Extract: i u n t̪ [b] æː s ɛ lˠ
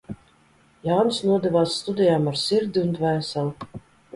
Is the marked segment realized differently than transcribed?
yes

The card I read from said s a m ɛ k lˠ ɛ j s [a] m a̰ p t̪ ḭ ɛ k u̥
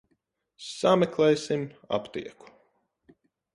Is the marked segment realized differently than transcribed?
yes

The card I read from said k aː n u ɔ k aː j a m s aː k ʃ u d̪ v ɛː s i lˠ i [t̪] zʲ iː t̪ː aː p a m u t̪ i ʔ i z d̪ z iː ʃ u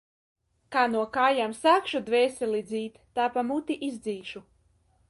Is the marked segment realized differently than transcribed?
yes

